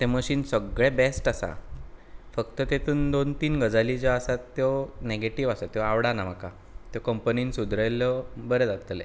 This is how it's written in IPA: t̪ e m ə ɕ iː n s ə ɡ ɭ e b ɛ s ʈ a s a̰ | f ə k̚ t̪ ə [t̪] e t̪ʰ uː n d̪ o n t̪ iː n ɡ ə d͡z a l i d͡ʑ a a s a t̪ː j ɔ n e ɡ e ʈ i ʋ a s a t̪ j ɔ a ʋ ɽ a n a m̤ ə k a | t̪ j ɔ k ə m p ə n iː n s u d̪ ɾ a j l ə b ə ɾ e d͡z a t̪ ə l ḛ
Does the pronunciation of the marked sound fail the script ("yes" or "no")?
no